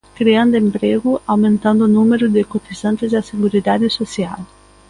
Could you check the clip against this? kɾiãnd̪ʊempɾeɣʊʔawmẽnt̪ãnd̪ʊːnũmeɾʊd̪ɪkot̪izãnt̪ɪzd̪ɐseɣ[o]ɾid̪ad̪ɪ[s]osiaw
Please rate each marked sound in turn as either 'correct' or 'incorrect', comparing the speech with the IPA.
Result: incorrect: u, correct

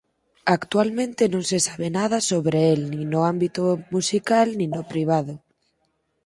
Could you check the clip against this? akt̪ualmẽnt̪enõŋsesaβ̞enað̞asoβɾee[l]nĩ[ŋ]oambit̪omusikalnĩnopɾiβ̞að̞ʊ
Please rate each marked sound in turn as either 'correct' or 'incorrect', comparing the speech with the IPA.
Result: correct, incorrect: n

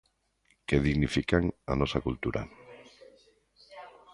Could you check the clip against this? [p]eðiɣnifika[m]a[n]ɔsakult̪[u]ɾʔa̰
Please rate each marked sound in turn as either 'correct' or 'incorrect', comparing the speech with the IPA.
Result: incorrect: k, incorrect: ŋ, correct, correct

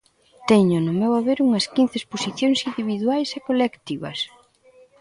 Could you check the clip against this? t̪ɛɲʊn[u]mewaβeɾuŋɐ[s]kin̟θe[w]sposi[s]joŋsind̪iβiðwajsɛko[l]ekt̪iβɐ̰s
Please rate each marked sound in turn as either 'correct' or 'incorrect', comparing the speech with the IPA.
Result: incorrect: ʊ, correct, incorrect: none, incorrect: θ, correct

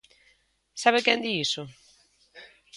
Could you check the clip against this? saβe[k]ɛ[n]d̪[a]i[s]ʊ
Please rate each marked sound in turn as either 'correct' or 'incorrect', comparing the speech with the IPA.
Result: correct, correct, incorrect: i, correct

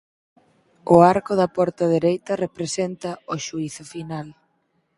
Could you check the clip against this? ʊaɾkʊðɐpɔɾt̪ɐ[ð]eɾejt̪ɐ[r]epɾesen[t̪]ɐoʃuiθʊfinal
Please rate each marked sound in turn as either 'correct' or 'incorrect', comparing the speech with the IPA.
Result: correct, correct, correct

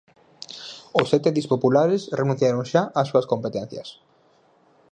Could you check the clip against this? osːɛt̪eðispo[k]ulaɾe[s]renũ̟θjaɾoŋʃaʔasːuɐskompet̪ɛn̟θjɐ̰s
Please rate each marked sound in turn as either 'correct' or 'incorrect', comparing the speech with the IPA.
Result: incorrect: p, correct

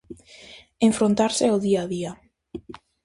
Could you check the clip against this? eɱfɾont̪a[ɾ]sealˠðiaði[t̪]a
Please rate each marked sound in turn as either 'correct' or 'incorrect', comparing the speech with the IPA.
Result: correct, incorrect: none

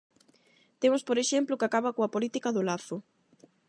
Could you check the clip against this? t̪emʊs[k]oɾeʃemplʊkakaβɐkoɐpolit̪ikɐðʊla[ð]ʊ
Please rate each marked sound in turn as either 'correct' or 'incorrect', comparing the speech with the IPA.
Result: incorrect: p, incorrect: θ

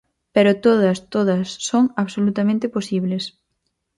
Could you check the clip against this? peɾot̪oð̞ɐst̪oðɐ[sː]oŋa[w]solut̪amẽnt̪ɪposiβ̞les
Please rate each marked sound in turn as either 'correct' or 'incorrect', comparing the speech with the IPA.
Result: correct, incorrect: β

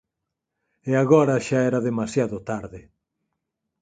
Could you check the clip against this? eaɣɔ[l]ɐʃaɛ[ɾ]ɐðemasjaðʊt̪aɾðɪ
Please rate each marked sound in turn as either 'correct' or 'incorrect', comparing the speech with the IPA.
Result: incorrect: ɾ, correct

